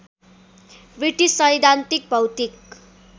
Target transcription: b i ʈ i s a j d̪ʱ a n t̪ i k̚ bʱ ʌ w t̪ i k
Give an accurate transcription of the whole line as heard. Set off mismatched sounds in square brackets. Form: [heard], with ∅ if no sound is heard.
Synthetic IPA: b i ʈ i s [ʌ] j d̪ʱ a n t̪ i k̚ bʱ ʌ w t̪ i k